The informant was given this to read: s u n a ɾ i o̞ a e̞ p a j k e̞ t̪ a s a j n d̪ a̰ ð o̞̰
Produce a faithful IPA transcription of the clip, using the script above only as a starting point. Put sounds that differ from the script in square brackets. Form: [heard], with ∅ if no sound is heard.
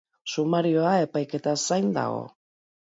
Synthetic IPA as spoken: s u [m] a ɾ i o̞ a e̞ p a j k e̞ t̪ a s a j n d̪ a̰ [ɣ] o̞̰